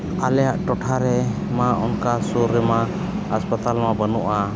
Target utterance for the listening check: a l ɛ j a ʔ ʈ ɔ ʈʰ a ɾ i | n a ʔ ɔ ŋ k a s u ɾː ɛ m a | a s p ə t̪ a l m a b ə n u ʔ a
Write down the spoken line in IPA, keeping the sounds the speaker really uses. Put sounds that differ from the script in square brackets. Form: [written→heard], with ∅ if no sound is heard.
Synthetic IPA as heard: a l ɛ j a ʔ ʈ ɔ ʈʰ a ɾ [i→ɛ] | [n→m] a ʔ ɔ [ŋ→n] k a s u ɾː ɛ m a | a s p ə t̪ a l m a b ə n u ʔ a